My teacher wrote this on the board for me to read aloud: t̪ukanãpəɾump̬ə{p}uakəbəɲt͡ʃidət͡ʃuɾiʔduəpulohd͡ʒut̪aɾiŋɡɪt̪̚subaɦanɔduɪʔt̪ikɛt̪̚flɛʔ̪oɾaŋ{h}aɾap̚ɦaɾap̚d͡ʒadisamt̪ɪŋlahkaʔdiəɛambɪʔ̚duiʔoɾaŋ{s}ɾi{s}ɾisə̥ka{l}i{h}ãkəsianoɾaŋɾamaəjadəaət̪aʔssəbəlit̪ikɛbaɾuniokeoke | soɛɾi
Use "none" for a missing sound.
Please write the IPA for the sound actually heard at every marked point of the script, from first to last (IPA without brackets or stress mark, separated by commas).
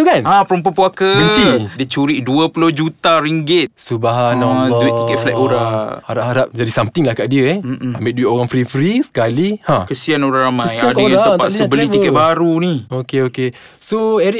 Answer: p, h, f, f, l, h